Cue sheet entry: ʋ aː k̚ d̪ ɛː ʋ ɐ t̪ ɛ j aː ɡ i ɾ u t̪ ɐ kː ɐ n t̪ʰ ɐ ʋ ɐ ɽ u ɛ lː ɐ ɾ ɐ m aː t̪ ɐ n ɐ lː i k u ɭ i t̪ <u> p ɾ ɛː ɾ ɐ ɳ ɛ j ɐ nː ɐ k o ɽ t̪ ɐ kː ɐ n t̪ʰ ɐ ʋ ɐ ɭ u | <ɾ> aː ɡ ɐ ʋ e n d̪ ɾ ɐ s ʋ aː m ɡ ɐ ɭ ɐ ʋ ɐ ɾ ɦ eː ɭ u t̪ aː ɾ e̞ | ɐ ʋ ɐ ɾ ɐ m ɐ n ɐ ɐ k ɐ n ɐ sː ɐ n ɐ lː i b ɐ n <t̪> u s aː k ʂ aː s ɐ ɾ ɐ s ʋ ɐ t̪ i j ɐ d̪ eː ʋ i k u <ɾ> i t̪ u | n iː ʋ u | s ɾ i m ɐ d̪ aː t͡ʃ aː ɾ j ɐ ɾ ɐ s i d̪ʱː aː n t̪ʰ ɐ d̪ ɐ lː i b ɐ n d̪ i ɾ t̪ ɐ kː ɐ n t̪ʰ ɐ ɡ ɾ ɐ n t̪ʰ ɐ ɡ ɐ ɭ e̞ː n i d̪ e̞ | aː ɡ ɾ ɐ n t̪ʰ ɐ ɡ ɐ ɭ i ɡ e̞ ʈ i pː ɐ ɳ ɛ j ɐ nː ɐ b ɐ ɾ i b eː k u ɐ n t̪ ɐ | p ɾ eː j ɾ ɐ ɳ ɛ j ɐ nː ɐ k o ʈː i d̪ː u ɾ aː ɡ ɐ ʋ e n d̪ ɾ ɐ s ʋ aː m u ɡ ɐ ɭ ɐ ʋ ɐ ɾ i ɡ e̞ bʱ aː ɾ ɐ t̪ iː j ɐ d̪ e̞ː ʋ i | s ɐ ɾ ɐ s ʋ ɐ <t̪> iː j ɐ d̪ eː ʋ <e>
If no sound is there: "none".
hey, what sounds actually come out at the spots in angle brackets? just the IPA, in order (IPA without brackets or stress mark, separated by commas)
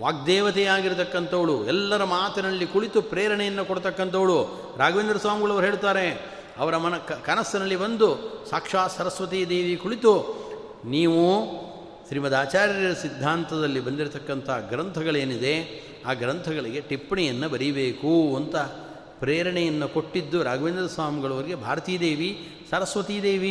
u, ɾ, d̪, ɭ, t̪, i